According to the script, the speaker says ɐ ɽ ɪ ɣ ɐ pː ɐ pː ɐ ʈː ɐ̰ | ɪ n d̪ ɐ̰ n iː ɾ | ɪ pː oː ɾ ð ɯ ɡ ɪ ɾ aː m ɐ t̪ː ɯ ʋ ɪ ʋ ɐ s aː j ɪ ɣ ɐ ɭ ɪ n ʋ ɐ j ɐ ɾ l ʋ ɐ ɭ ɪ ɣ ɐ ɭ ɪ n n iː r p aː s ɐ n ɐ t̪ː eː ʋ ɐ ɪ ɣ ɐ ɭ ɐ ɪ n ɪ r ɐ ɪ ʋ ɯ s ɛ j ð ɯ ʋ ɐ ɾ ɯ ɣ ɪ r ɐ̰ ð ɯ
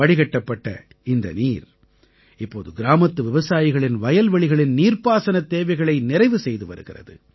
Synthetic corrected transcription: ɐ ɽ ɪ ɣ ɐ ʈː ɐ pː ɐ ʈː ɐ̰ | ɪ n d̪ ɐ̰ n iː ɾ | ɪ pː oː ð ɯ ɡ ɪ ɾ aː m ɐ t̪ː ɯ ʋ ɪ ʋ ɐ s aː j ɪ ɣ ɐ ɭ ɪ n ʋ ɐ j ɐ l ʋ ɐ ɭ ɪ ɣ ɐ ɭ ɪ n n iː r p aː s ɐ n ɐ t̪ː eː ʋ ɐ ɪ ɣ ɐ ɭ ɐ ɪ n ɪ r ɐ ɪ ʋ ɯ s ɛ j ð ɯ ʋ ɐ ɾ ɯ ɣ ɪ r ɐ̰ ð ɯ